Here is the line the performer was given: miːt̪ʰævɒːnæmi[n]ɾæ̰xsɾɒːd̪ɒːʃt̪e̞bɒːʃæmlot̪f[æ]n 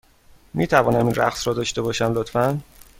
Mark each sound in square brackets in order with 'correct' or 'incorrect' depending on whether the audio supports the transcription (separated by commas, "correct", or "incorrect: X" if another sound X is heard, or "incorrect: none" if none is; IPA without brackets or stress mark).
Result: correct, correct